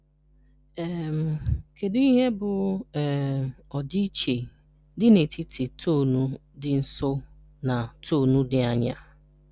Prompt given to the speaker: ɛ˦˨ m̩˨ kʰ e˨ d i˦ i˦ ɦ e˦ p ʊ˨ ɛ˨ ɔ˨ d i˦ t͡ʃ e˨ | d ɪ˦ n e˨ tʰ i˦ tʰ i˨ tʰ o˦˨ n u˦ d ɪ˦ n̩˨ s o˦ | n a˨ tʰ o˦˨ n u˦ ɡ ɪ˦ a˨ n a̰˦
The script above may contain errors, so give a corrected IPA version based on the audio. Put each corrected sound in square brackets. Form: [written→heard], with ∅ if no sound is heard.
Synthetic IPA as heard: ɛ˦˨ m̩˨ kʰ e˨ d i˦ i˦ ɦ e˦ [p→b] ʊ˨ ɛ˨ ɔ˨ d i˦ t͡ʃ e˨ | d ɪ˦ n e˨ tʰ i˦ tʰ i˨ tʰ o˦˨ n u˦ d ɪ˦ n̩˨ s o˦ | n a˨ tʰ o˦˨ n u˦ [ɡ→d] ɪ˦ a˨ [n→ɲ] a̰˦